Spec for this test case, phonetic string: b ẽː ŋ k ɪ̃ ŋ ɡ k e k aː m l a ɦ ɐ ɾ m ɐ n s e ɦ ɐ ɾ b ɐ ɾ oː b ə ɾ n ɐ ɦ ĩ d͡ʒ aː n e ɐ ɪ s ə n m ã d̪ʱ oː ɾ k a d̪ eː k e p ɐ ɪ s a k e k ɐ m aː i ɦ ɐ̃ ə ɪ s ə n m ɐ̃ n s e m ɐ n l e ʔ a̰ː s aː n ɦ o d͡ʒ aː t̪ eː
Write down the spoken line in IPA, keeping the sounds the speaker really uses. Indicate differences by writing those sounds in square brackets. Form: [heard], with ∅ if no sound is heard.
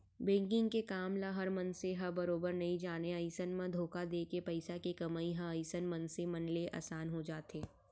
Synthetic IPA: b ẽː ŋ k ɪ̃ ŋ ɡ k e k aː m l a ɦ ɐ ɾ m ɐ n s e ɦ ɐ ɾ b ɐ ɾ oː b ə ɾ n ɐ ɦ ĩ d͡ʒ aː n e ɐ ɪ s ə n m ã d̪ʱ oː [∅] k a d̪ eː k e p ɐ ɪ s a k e k ɐ m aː i ɦ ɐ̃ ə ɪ s ə n m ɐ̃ n s e m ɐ n l e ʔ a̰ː s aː n ɦ o d͡ʒ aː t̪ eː